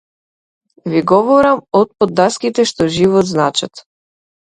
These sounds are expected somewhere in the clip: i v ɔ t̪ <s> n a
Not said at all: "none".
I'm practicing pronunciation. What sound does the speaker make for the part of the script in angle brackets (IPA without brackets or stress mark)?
z